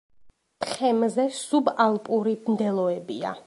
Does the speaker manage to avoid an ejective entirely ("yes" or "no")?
no